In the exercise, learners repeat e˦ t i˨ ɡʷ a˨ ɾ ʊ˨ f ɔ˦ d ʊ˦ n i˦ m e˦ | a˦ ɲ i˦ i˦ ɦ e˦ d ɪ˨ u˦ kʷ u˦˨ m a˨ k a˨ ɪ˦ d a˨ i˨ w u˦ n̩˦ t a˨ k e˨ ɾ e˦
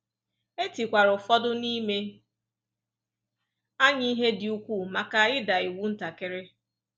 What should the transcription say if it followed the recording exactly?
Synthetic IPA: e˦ t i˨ kʷ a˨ ɾ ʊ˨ f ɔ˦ d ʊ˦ n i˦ m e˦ | a˦ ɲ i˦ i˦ ɦ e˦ d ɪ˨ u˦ kʷ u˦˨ m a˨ k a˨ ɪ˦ d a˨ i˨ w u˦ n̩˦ t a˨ k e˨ ɾ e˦